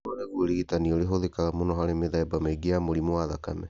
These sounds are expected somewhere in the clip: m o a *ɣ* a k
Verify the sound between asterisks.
incorrect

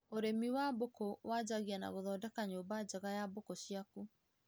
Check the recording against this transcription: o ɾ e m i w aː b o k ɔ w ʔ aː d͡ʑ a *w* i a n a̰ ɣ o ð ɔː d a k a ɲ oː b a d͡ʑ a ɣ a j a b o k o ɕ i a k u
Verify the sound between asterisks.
incorrect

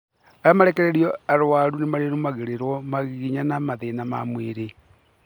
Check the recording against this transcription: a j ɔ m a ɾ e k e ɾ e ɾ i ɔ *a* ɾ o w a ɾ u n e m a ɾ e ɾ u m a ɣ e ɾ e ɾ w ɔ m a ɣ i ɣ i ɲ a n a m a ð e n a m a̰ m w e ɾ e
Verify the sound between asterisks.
correct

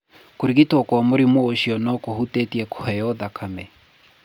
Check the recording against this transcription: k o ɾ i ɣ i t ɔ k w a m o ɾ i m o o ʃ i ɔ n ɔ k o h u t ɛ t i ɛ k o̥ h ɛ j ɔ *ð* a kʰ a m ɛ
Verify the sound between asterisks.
correct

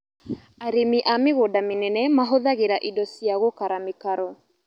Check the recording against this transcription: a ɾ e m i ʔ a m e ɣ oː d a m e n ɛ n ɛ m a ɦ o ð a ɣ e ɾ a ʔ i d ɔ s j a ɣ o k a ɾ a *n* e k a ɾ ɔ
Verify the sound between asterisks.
incorrect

